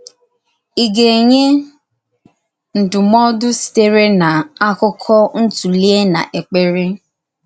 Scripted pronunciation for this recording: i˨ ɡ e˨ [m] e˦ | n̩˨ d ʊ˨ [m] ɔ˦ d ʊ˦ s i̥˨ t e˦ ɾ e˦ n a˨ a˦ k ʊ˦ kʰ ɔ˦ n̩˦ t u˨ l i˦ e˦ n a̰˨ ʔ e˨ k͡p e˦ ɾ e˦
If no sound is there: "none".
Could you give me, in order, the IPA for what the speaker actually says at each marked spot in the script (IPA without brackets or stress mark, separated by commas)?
ɲ, m